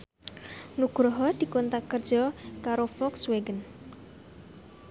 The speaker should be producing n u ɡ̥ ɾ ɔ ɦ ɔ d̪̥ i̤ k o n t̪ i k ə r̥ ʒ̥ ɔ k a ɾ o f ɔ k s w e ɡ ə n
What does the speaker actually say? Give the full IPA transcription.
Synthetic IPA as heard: n u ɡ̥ ɾ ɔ ɦ ɔ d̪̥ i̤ k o n t̪ a k ə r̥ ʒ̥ ɔ k a ɾ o f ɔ k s w e ɡ ə n